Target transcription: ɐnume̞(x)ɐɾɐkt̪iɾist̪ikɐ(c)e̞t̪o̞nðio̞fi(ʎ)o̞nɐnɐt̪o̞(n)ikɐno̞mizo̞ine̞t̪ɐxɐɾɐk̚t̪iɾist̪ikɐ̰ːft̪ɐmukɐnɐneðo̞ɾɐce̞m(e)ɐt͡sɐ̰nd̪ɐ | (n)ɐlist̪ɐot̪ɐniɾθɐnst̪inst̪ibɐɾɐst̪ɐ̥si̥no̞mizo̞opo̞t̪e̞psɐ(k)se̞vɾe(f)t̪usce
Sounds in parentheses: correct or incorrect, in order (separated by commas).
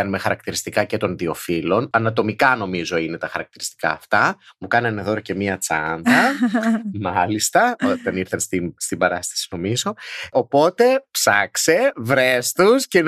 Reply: correct, correct, incorrect, incorrect, incorrect, incorrect, correct, incorrect